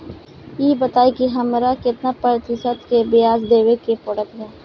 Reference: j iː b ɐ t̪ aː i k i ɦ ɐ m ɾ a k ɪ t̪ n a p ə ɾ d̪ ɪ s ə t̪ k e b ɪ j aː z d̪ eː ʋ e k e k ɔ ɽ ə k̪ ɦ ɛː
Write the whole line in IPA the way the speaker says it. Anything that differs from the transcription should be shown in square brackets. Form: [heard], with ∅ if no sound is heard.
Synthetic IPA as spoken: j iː b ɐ t̪ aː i k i ɦ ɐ m ɾ a k ɪ t̪ n a p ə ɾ [t̪] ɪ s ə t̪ k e b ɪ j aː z d̪ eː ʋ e k e [p] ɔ ɽ ə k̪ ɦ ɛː